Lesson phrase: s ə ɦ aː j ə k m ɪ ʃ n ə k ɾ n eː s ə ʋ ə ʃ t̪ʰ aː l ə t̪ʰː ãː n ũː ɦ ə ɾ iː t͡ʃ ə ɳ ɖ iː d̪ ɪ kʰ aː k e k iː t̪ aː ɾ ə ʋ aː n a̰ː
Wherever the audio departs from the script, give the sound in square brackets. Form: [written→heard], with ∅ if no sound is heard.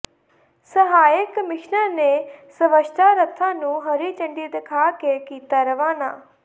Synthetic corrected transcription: s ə ɦ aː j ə k m ɪ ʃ n ə [k→∅] ɾ n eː s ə ʋ ə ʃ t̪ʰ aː [l→ɾ] ə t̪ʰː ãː n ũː ɦ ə ɾ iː t͡ʃ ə ɳ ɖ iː d̪ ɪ kʰ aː k e k iː t̪ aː ɾ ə ʋ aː n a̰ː